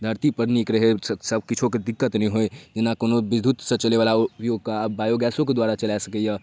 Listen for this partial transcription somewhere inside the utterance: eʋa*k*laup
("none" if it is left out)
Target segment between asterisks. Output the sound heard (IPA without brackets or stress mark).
none